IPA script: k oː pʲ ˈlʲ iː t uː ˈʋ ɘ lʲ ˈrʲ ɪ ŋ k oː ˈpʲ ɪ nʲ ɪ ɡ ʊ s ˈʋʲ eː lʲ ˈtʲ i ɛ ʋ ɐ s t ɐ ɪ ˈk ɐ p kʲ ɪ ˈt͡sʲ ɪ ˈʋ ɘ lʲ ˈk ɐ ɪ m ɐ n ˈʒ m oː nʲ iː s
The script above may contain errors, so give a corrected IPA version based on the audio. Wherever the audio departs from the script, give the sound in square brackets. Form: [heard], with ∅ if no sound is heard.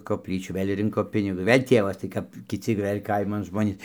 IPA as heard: k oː pʲ ˈlʲ iː [t͡ʃʲ] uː ˈʋ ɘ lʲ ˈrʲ ɪ ŋ k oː ˈpʲ ɪ nʲ ɪ ɡ ʊ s ˈʋʲ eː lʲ ˈtʲ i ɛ ʋ ɐ s t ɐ ɪ ˈk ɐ p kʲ ɪ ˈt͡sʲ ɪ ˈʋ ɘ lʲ ˈk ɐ ɪ m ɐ n ˈʒ m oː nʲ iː s